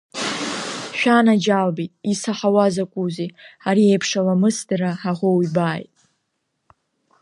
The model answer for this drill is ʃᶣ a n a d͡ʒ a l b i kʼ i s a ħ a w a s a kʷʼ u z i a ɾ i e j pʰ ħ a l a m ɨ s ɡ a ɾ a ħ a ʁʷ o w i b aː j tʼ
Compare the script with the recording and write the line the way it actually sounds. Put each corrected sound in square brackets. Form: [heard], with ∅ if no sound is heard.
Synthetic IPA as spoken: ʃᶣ a n a d͡ʒ a l b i [tʼ] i s a ħ a w a [z] a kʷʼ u z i a ɾ i e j pʰ [ʂ] a l a m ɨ s [d] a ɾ a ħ a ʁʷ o w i b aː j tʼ